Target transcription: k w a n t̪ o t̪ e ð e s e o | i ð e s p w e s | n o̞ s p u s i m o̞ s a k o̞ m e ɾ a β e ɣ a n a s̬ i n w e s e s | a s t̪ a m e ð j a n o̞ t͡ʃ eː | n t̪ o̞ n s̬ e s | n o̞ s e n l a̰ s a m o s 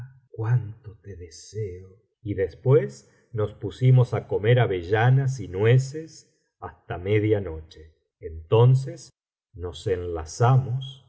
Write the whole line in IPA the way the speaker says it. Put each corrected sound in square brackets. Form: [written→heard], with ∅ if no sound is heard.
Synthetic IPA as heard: k w a n t̪ o t̪ e ð e s e o | i ð e s p w e s | n o̞ s p u s i m o̞ s a k o̞ m e ɾ a β e [ɣ→ʒ] a n a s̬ i n w e s e s | a s t̪ a m e ð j a n o̞ t͡ʃ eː | n t̪ o̞ n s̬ e s | n o̞ s e n l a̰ s a m o s